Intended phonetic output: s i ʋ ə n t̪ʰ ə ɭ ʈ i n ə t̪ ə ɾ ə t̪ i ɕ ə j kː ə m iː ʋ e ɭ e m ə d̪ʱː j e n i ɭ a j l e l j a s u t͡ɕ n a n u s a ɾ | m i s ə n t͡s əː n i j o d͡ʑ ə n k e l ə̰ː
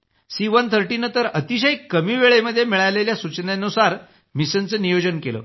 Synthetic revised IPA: s i ʋ ə n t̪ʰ ə ɾ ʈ i n ə t̪ ə ɾ ə t̪ i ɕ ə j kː ə m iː ʋ e ɭ e m ə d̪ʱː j e m i ɭ a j l e l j a s u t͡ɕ n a n u s a ɾ | m i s ə n t͡s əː n i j o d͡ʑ ə n k e l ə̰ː